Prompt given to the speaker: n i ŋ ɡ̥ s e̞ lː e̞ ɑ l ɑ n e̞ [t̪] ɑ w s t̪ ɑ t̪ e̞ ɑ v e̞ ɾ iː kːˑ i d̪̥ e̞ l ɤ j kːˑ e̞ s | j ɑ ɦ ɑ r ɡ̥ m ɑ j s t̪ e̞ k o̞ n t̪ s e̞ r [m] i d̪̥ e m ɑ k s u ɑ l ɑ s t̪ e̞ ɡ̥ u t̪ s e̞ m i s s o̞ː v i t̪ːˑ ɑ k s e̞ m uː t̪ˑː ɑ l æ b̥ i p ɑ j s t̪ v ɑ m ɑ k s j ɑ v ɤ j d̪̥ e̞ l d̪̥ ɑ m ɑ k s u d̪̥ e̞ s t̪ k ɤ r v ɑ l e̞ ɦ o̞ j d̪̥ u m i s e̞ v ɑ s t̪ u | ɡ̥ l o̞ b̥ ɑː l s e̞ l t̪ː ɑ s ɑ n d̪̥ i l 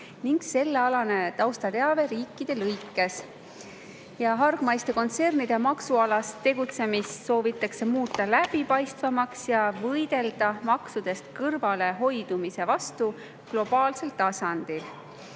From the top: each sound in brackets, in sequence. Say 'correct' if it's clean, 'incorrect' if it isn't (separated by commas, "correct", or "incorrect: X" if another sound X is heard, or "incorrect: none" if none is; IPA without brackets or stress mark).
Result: correct, incorrect: n